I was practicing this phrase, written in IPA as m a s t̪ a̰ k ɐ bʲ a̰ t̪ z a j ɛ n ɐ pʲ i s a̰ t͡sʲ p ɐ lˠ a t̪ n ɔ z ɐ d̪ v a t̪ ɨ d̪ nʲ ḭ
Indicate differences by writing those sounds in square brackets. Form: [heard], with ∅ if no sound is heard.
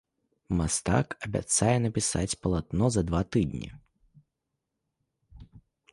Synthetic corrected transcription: m a s t̪ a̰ k ɐ bʲ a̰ t̪ [s] a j ɛ n ɐ pʲ i s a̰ t͡sʲ p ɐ lˠ a t̪ n ɔ z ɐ d̪ v a t̪ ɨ d̪ nʲ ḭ